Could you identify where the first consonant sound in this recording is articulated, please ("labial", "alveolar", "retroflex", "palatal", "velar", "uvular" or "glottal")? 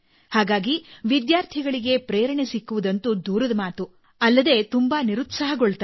glottal